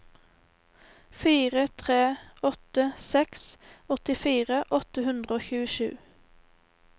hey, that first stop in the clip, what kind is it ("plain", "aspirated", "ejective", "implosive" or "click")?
aspirated